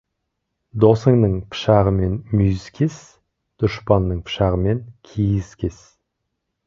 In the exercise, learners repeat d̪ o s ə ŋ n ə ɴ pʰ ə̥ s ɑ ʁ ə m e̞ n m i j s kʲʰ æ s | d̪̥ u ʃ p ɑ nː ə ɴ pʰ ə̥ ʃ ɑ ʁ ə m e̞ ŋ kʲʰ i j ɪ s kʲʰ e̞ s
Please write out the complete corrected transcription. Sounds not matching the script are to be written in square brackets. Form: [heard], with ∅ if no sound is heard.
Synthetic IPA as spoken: d̪ o s ə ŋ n ə ɴ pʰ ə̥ [ʃ] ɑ ʁ ə m e̞ n m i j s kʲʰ [e] s | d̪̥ [ʊ] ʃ p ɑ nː ə ɴ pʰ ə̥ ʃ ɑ ʁ ə m e̞ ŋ kʲʰ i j ɪ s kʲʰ e̞ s